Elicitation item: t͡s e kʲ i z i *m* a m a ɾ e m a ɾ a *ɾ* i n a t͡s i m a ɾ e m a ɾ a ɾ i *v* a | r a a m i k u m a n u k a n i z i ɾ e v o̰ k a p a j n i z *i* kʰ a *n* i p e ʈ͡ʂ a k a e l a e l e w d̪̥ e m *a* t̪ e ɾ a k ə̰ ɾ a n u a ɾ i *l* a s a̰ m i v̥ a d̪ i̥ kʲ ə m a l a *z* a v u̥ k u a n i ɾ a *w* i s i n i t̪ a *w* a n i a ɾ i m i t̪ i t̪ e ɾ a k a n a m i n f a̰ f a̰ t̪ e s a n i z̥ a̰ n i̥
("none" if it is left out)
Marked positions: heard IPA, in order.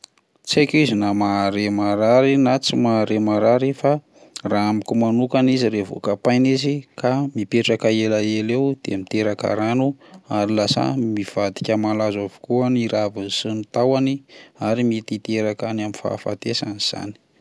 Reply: n, ɾ, f, i, m, i, l, z, v, w

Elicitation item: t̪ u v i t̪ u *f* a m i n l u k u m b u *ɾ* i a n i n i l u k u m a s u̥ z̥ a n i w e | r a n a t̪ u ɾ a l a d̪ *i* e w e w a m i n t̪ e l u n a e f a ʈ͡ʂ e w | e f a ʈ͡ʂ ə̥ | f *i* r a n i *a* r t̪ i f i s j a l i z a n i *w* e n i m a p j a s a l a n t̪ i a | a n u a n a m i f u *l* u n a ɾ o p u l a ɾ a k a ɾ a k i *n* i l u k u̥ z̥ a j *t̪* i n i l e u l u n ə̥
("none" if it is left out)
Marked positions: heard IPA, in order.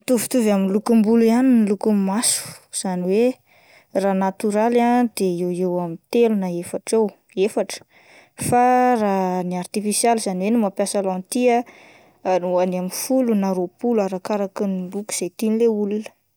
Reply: v, l, e, a, a, w, l, n, t̪

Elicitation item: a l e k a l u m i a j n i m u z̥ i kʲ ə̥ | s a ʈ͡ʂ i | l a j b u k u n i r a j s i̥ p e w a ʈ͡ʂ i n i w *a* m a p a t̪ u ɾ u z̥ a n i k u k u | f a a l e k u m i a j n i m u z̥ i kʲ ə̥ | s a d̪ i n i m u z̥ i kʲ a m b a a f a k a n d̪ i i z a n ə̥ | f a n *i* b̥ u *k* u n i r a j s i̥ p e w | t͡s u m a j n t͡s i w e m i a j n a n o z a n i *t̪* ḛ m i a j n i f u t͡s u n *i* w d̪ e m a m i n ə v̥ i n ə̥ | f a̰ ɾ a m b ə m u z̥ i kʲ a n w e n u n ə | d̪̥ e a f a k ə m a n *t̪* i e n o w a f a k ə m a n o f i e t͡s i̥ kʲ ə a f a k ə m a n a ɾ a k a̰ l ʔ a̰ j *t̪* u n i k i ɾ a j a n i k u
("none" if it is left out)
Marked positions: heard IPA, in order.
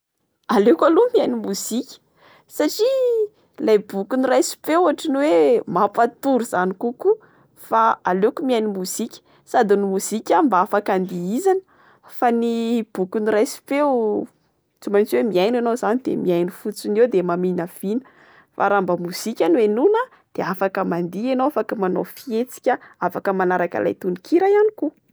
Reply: e, i, k, d̪, e, d̪, t̪

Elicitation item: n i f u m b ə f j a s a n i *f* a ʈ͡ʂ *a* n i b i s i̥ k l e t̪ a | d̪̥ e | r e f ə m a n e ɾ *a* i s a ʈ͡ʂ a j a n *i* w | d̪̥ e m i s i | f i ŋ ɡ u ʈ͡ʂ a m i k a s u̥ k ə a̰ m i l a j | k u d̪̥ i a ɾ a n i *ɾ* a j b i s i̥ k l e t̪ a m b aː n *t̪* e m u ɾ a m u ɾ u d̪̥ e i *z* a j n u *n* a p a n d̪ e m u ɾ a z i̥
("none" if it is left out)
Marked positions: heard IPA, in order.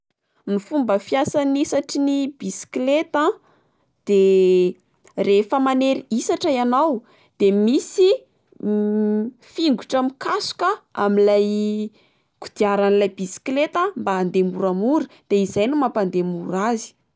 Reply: s, i, i, a, l, d̪, z, m

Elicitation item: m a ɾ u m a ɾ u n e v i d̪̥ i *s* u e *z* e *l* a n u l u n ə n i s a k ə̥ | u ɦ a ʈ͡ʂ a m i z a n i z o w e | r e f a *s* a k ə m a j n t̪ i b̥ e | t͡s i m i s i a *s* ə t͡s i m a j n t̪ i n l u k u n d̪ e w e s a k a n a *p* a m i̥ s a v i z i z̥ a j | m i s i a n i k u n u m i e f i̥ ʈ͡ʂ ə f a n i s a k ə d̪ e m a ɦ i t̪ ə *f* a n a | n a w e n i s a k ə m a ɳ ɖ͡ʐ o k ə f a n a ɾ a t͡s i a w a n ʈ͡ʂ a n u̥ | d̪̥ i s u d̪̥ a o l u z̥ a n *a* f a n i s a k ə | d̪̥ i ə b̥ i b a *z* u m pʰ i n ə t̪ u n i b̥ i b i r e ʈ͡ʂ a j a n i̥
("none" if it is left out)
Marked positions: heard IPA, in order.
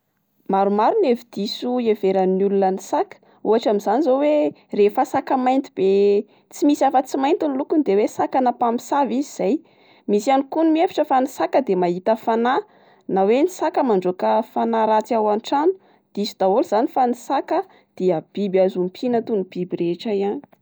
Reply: s, v, ɾ, s, f, p, f, i, z

